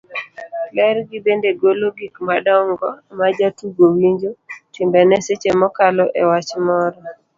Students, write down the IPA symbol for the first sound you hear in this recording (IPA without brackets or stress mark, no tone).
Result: l